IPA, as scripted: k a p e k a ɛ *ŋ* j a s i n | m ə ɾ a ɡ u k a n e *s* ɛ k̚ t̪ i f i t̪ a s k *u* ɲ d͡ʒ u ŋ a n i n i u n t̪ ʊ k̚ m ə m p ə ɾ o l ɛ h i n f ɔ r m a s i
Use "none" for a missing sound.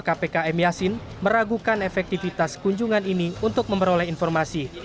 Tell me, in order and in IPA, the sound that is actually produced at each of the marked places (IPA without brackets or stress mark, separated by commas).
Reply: m, f, u